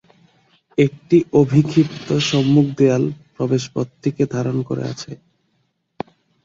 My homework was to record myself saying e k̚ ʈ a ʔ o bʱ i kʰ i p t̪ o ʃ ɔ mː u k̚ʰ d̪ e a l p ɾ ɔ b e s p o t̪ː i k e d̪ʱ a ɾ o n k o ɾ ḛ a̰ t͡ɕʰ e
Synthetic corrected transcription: e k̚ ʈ i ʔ o bʱ i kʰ i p t̪ o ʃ ɔ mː u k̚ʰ d̪ e a l p ɾ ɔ b e ʃ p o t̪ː i k e d̪ʱ a ɾ o n k o ɾ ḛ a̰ t͡ɕʰ e